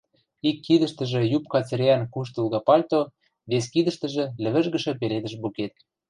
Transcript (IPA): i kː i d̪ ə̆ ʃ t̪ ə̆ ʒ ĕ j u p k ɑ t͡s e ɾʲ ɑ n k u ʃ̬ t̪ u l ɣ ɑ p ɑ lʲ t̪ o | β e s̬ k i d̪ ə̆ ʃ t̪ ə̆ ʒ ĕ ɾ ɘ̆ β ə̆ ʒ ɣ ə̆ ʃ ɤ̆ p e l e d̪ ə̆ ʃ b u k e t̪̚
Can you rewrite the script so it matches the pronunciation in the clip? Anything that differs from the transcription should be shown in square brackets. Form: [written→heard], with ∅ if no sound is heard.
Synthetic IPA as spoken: i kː i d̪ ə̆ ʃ t̪ ə̆ ʒ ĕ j u p k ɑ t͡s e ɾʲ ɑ n k u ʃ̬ t̪ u l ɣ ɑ p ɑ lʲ t̪ o | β e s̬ k i d̪ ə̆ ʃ t̪ ə̆ ʒ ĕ [ɾ→l] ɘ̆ β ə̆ ʒ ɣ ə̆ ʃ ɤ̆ p e l e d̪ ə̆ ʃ b u k e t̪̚